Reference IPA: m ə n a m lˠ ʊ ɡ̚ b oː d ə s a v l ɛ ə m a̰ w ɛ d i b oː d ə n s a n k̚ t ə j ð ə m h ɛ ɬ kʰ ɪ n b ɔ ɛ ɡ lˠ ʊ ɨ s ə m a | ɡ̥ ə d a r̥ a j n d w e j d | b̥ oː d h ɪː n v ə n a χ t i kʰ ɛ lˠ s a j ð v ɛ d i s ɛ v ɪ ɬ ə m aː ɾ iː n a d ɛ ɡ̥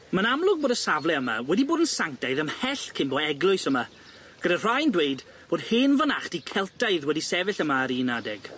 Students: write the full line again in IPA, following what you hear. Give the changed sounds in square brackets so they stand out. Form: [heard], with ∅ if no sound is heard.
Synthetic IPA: m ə n a m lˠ ʊ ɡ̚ b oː d ə s a v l ɛ ə m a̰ w ɛ d i b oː d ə n s a [ŋ] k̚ t [a] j ð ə m h ɛ ɬ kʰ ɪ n b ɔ ɛ ɡ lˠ ʊ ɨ s ə m a | ɡ̥ ə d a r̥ a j n d w e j d | b̥ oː d h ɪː n v ə n a χ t i kʰ ɛ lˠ [t] a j ð [w] ɛ d i s ɛ v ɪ ɬ ə m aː ɾ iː n a d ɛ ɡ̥

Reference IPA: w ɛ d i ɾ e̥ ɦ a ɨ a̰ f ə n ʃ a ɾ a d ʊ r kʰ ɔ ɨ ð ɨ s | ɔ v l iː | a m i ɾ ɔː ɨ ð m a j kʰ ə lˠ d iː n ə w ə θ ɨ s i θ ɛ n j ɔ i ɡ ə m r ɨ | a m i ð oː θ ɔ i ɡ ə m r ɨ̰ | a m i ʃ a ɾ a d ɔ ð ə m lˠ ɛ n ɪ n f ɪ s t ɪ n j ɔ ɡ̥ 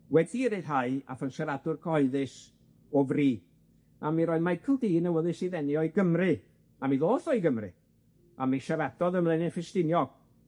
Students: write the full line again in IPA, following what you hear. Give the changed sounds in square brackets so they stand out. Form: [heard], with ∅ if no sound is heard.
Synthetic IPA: w ɛ d i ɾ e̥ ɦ a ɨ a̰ f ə n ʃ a ɾ a d ʊ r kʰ ɔ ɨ ð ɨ s | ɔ v [r] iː | a m i ɾ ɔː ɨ ð m a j kʰ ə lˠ d iː n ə w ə [ð] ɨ s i [ð] ɛ n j ɔ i ɡ ə m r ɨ | a m i ð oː θ ɔ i ɡ ə m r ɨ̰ | a m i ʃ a ɾ a d ɔ ð ə m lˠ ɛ n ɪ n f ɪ s t ɪ n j ɔ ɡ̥

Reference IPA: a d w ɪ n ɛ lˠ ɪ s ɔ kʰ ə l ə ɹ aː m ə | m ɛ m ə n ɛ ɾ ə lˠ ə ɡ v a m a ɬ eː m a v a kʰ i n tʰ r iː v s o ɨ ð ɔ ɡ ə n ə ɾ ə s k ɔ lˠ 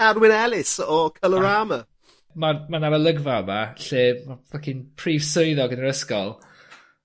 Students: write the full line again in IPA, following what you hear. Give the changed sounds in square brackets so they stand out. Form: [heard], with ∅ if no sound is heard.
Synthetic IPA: a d w ɪ n ɛ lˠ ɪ s ɔ kʰ ə l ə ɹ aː m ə | m [a] m [a] n [a] ɾ ə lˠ ə ɡ v a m a ɬ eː m a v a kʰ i n [pʰ] r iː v s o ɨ ð ɔ ɡ ə n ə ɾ ə s k ɔ lˠ

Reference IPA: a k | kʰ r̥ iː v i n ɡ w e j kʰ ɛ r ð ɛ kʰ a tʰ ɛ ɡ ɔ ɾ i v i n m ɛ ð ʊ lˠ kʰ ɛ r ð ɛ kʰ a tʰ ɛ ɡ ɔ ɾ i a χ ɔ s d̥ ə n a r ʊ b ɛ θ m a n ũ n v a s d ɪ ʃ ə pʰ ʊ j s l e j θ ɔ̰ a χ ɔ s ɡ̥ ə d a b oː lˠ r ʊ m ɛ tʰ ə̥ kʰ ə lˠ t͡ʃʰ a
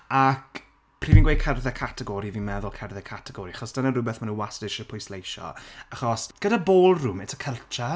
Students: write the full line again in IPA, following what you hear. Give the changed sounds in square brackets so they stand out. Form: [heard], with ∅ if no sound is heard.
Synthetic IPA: a k | [pʰ] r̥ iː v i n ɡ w e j kʰ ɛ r ð ɛ kʰ a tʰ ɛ ɡ ɔ ɾ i v i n m ɛ ð ʊ lˠ kʰ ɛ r ð ɛ kʰ a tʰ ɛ ɡ ɔ ɾ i a χ ɔ s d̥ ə n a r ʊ b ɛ θ m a n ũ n [w] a s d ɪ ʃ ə pʰ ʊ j s l e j [ʃ] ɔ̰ a χ ɔ s ɡ̥ ə d a b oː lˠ r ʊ m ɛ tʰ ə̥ kʰ ə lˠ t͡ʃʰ a

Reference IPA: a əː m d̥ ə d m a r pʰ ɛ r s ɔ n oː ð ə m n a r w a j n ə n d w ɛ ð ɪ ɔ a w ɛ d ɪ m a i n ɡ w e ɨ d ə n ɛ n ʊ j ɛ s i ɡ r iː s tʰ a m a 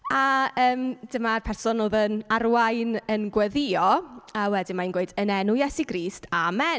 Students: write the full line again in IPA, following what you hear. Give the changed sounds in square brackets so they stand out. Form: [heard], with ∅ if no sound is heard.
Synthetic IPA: a əː m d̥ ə [∅] m a r pʰ ɛ r s ɔ n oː ð ə [∅] n a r w a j n ə n [ɡ] w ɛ ð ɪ ɔ a w ɛ d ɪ m a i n ɡ w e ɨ d ə n ɛ n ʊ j ɛ s i ɡ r iː s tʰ a m [ɛ]

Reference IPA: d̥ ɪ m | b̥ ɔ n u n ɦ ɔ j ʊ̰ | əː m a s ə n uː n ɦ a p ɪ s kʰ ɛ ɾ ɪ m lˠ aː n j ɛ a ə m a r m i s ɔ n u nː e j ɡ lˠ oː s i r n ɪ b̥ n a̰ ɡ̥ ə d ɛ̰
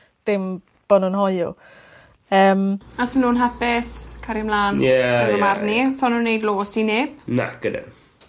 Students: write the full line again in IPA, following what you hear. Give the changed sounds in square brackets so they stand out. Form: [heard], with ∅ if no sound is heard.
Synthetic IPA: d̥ ɪ m | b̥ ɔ n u n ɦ ɔ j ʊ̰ | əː m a s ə n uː n ɦ a p ɪ s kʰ [a] ɾ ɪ m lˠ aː n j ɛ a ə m a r [n] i s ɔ n u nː e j [d] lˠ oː s i [∅] n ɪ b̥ n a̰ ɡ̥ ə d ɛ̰

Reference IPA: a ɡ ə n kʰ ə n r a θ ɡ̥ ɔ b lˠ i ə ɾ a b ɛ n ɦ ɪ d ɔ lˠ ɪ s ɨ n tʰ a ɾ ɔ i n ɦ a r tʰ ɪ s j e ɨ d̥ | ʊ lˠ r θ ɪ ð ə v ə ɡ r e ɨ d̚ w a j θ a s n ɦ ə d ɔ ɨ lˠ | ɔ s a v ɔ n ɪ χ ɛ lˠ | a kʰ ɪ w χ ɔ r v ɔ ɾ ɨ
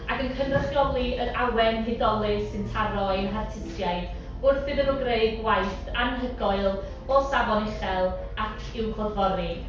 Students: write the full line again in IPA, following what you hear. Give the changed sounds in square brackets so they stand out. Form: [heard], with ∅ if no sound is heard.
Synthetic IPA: a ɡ ə n kʰ ə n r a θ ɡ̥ ɔ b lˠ i ə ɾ a [w] ɛ n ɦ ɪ d ɔ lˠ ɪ s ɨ n tʰ a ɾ ɔ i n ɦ a r tʰ ɪ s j [a] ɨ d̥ | ʊ [∅] r θ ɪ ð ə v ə ɡ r e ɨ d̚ w a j θ a [∅] n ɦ ə [ɡ] ɔ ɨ lˠ | ɔ s a v ɔ n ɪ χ ɛ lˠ | a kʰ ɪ w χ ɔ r v ɔ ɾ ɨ

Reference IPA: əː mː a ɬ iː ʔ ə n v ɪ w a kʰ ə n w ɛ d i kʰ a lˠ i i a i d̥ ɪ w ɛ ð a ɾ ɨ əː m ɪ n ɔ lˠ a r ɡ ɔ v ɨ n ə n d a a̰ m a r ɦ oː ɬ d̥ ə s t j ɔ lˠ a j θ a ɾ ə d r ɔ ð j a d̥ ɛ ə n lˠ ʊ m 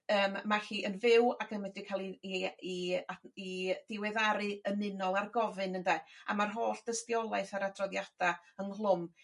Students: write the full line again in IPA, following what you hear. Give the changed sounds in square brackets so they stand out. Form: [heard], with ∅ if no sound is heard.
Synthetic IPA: əː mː a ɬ iː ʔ ə n v ɪ w a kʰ ə n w ɛ d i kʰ a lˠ i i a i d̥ ɪ w ɛ ð a ɾ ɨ [ə] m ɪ n ɔ lˠ a r ɡ ɔ v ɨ n ə n d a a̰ m a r ɦ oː ɬ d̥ ə s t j ɔ lˠ a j θ a ɾ [a] d r ɔ ð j a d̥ [a] ə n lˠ ʊ m

